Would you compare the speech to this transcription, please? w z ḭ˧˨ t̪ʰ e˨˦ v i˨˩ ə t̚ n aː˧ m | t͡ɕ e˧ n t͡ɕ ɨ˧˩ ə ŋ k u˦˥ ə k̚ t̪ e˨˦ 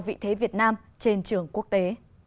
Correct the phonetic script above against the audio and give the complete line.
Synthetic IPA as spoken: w v ḭ˧˨ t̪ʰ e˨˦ v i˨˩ ə t̚ n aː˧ m | t͡ɕ e˧ n t͡ɕ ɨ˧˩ ə ŋ k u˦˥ ə k̚ t̪ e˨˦